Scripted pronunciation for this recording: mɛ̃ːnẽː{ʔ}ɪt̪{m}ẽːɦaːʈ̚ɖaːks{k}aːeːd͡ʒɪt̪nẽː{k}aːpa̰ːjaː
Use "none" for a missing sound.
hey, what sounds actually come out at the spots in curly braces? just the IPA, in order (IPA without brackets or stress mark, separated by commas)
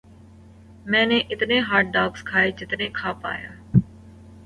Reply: ʔ, n, kʰ, kʰ